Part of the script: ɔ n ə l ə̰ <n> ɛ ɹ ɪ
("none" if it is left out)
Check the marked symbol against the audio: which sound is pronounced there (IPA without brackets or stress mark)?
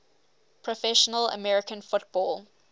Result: m